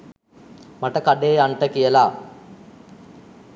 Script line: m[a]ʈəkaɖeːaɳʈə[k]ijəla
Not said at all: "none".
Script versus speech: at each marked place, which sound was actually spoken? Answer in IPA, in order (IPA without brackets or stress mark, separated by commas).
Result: a, k